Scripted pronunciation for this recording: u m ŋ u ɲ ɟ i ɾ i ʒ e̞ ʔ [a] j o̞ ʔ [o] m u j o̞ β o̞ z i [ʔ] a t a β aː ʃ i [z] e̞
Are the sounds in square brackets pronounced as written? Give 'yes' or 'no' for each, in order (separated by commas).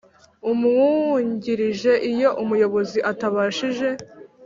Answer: no, no, yes, no